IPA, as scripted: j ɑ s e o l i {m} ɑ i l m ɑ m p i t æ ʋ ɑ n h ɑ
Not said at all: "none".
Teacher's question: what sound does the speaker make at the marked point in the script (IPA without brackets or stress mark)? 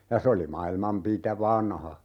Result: m